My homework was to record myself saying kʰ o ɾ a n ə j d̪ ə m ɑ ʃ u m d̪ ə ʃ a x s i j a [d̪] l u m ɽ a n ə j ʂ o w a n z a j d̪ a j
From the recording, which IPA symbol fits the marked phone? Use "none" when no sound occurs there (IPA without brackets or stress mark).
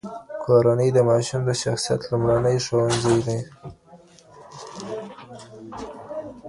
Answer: t̪